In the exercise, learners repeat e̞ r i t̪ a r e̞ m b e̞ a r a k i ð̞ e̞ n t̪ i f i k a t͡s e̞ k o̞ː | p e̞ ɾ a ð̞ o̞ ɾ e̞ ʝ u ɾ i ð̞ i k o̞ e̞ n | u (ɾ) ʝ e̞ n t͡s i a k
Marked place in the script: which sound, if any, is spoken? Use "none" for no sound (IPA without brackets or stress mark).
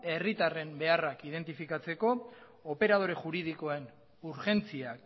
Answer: ɾ